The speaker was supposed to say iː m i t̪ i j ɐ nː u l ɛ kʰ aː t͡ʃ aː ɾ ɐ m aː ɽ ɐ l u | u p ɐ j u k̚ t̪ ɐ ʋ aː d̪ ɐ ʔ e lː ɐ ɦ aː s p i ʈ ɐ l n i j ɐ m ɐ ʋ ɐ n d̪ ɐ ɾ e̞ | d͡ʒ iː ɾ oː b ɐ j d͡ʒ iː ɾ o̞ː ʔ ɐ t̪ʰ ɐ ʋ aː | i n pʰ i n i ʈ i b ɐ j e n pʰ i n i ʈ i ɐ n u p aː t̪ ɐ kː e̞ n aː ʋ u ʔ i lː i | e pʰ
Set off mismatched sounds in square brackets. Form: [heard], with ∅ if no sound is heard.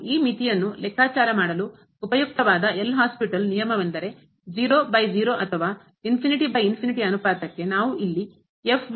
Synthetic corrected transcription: iː m i t̪ i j ɐ nː u l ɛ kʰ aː t͡ʃ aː ɾ ɐ m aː ɽ ɐ l u | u p ɐ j u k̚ t̪ ɐ ʋ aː d̪ ɐ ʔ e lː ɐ ɦ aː s p i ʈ ɐ l n i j ɐ m ɐ ʋ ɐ n d̪ ɐ ɾ e̞ | d͡ʒ iː ɾ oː b ɐ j d͡ʒ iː ɾ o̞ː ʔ ɐ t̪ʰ ɐ ʋ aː | i n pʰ i n i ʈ i b ɐ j [i] n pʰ i n i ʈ i ɐ n u p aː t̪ ɐ kː e̞ n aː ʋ u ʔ i lː i | e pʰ